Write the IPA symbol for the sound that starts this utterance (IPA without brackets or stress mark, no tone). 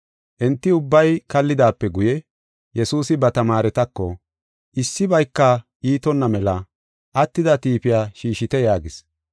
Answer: ʔ